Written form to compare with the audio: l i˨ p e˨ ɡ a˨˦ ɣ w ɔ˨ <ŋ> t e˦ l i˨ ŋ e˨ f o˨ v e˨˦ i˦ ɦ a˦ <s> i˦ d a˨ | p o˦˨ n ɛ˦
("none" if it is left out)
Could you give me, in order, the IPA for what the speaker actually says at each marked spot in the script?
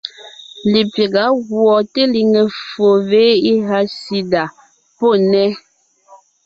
none, s

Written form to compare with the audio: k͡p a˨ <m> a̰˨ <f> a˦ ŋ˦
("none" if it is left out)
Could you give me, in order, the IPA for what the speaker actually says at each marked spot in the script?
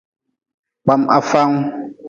m, f

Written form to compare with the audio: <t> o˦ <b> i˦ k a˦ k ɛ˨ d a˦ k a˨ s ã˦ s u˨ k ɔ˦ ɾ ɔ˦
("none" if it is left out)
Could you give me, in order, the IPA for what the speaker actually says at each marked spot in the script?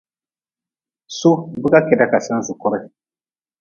s, b

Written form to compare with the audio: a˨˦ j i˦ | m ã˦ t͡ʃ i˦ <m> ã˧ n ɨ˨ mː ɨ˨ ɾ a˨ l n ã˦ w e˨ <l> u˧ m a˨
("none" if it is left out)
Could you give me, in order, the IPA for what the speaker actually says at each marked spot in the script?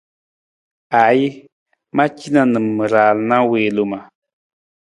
n, l

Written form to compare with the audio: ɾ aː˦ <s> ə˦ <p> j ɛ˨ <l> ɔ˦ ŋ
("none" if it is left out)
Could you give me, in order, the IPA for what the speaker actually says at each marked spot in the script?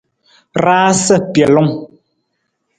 s, p, l

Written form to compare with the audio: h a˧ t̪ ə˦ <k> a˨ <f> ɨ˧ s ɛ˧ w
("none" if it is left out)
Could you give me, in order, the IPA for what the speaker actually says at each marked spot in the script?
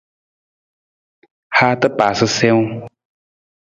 p, s

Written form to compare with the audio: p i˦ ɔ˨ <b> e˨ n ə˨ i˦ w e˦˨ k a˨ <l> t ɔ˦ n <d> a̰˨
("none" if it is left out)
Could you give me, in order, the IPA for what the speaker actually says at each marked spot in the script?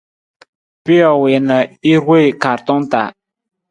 w, ɾ, t

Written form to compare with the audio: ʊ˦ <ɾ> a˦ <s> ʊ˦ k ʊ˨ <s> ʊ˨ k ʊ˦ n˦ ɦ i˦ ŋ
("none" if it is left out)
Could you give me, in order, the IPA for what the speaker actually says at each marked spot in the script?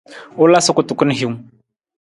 l, s, t

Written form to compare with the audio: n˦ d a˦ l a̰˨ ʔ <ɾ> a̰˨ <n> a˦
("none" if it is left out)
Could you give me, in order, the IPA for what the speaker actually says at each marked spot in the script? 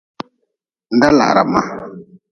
ɾ, m

